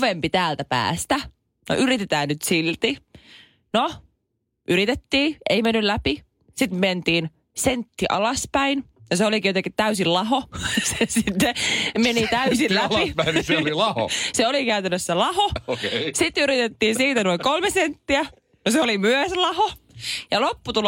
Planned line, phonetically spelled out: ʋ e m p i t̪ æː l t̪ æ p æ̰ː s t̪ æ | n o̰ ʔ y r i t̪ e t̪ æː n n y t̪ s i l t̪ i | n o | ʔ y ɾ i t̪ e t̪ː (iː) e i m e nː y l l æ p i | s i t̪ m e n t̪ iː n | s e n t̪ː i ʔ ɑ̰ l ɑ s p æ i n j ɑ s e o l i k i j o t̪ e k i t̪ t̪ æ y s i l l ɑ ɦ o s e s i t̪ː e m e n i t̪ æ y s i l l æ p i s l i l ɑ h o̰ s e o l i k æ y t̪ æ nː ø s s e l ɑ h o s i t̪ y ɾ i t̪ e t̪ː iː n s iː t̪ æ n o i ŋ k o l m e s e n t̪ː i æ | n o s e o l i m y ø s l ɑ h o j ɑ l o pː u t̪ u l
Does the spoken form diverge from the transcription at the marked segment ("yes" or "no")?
no